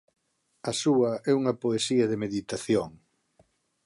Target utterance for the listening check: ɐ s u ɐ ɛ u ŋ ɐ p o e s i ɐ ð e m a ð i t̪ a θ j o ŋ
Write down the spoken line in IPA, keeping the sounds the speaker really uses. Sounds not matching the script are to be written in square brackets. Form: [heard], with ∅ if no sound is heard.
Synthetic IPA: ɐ s u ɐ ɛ u ŋ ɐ p o e s i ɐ ð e m [e] ð i t̪ a θ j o ŋ